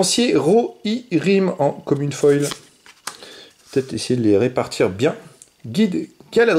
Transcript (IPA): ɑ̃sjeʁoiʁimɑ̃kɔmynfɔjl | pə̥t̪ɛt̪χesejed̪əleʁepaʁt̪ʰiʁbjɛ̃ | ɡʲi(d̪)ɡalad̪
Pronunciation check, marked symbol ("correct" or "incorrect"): correct